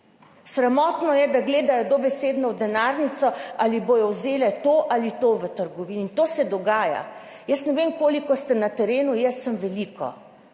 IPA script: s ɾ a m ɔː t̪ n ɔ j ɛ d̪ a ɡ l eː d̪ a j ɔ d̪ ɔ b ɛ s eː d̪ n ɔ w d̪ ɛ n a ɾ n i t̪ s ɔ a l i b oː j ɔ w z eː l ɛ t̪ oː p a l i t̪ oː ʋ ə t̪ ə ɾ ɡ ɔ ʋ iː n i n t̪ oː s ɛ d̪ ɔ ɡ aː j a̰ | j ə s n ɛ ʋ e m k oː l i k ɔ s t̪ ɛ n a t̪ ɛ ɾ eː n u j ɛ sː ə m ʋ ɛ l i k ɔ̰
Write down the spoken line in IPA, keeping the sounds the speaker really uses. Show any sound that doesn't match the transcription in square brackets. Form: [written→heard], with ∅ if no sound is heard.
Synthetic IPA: s ɾ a m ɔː t̪ n ɔ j ɛ d̪ a ɡ l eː d̪ a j ɔ d̪ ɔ b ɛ s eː d̪ n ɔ w d̪ ɛ n a ɾ n i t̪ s ɔ a l i b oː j ɔ w z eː l ɛ t̪ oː [p→ʔ] a l i t̪ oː ʋ ə t̪ ə ɾ ɡ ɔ ʋ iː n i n t̪ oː s ɛ d̪ ɔ ɡ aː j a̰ | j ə s n ɛ ʋ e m k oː l i k ɔ s t̪ ɛ n a t̪ ɛ ɾ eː n u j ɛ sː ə m ʋ ɛ l i k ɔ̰